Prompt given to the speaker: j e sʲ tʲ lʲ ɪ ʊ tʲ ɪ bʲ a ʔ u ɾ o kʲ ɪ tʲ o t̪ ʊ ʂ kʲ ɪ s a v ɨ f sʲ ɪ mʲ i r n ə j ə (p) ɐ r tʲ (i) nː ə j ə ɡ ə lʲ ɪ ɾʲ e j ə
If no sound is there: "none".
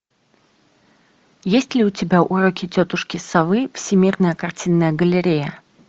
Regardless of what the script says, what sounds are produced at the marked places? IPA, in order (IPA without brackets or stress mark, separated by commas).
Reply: k, i